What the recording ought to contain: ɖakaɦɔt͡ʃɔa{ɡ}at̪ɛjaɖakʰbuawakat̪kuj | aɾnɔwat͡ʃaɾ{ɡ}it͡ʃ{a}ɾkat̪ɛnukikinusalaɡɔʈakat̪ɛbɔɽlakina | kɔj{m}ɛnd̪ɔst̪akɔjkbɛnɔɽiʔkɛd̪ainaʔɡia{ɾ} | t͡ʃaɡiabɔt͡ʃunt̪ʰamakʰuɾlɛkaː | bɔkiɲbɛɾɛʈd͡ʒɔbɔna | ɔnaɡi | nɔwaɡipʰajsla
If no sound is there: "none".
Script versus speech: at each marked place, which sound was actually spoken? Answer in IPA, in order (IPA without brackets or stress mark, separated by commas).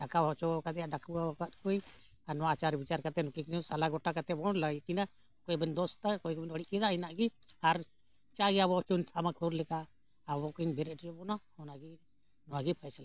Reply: k, b, a, b, ɾ